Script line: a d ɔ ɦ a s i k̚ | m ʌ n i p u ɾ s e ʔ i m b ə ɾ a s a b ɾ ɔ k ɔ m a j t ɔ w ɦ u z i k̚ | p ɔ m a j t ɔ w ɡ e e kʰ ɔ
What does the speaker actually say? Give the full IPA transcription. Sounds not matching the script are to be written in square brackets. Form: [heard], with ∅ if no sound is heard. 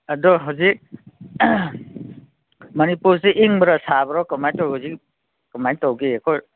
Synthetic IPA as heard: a d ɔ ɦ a [z] i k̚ | m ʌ n i p u ɾ s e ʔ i [ŋ] b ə ɾ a s a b ɾ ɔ k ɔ m a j t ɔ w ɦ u z i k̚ | [k] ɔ m a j t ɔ w ɡ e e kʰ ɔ